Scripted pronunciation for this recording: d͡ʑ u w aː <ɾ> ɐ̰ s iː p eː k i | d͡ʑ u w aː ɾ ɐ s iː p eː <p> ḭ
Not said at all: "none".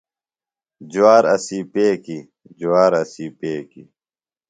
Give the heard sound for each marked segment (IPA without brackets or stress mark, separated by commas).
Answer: ɾ, k